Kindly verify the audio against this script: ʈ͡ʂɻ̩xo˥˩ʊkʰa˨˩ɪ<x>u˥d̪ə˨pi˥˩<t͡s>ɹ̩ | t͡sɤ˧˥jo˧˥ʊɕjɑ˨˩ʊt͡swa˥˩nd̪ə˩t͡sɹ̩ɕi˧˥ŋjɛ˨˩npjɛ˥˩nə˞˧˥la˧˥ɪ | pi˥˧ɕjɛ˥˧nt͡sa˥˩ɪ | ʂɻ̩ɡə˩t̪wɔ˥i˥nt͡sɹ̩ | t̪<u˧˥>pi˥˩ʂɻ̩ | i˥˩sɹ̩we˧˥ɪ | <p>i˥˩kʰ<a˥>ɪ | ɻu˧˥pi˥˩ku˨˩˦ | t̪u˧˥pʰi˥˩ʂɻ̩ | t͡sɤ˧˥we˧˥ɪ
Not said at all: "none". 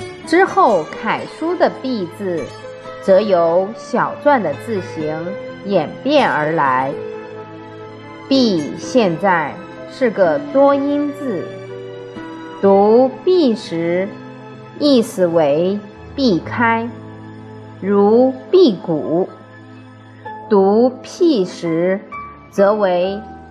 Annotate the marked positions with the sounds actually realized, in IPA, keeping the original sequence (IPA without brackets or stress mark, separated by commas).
ʂ, t͡s, u˧˥, p, a˥